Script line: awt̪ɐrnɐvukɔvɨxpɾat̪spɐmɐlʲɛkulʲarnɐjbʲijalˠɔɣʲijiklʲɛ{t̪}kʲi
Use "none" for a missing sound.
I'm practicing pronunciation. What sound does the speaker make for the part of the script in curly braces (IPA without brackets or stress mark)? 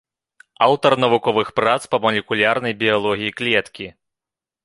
t̪